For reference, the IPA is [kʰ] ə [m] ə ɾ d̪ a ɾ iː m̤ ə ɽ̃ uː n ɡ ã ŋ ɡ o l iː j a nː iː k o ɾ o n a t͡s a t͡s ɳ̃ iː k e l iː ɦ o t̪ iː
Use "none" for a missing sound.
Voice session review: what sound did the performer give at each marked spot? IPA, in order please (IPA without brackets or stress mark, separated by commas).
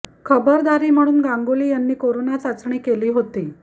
kʰ, b